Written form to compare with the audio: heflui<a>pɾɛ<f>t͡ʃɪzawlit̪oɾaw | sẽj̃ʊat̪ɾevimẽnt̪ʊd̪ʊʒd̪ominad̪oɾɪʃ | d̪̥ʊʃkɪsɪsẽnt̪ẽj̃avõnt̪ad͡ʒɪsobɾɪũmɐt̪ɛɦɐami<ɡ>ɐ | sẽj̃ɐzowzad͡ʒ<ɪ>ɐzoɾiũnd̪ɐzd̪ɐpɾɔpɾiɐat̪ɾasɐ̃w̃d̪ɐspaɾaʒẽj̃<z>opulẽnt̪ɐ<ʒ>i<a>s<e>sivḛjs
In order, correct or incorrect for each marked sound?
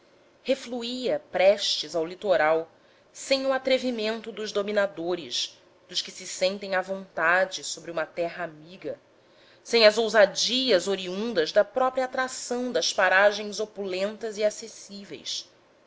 incorrect: ɐ, incorrect: ʃ, correct, incorrect: i, correct, incorrect: z, correct, correct

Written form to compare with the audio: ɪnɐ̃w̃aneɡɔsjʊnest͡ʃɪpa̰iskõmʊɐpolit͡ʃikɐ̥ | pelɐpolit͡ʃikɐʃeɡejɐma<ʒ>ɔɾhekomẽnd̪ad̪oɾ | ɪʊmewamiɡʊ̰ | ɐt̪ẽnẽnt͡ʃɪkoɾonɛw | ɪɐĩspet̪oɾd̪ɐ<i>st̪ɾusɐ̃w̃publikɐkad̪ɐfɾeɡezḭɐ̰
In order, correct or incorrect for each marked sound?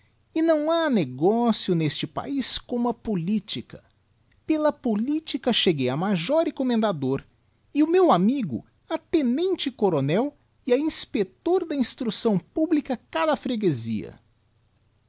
correct, incorrect: ĩ

